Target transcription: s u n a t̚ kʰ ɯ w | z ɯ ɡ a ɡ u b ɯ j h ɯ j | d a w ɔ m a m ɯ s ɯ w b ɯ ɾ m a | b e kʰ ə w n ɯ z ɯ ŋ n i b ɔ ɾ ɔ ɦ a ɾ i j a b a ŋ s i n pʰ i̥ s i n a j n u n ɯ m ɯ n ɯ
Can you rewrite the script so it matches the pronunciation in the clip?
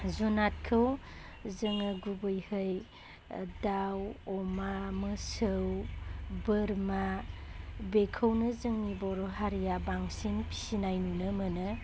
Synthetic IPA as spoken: z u n a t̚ kʰ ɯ w | z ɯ ŋ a ɡ u b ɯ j h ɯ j | d a w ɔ m a m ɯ s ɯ w b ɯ ɾ m a | b e kʰ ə w n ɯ z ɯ ŋ n i b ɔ ɾ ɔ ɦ a ɾ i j a b a ŋ s i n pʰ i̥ s i n a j n u n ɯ m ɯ n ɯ